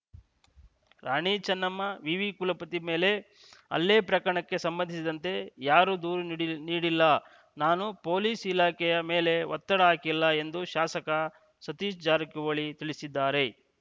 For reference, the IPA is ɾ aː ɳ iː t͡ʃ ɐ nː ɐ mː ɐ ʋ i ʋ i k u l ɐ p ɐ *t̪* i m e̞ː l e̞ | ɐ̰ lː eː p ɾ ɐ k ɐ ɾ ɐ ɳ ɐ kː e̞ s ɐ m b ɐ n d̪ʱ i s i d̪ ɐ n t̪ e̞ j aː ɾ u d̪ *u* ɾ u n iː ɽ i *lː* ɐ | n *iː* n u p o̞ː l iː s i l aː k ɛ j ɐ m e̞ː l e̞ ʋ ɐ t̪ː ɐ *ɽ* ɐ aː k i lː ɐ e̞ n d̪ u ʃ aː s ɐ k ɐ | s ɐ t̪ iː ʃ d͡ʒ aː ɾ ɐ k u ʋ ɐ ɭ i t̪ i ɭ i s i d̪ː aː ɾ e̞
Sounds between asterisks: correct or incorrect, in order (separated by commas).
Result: correct, incorrect, correct, incorrect, correct